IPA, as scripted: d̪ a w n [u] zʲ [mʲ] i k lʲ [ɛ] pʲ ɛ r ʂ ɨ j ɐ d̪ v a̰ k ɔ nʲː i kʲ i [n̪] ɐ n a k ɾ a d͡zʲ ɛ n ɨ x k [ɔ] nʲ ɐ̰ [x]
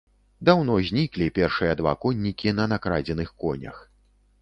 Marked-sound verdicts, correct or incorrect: incorrect, incorrect, incorrect, correct, correct, correct

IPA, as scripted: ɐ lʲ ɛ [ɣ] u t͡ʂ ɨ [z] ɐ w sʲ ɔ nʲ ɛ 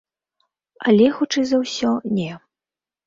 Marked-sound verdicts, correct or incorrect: incorrect, correct

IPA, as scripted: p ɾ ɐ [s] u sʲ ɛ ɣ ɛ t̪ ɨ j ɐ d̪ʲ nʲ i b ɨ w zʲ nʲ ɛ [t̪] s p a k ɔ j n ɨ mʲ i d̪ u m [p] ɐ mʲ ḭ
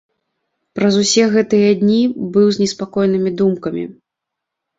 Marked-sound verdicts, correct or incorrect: incorrect, incorrect, incorrect

